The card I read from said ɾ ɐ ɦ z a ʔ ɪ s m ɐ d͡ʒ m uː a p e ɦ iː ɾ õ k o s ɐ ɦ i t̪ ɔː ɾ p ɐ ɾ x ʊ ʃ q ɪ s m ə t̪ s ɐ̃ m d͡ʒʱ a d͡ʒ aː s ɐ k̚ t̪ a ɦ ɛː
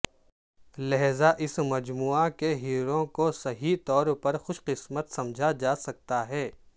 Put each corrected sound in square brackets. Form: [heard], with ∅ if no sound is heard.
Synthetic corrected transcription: [l] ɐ ɦ z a ʔ ɪ s m ɐ d͡ʒ m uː a [k] e ɦ iː ɾ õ k o s ɐ ɦ i t̪ ɔː ɾ p ɐ ɾ x ʊ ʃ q ɪ s m ə t̪ s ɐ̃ m d͡ʒʱ a d͡ʒ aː s ɐ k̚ t̪ a ɦ ɛː